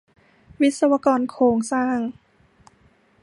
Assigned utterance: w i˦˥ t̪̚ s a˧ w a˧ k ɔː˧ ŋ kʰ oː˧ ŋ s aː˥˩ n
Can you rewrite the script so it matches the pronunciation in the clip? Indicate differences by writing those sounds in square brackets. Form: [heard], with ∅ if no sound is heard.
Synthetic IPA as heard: w i˦˥ t̪̚ s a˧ w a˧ k ɔː˧ [n] kʰ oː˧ ŋ s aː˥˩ [ŋ]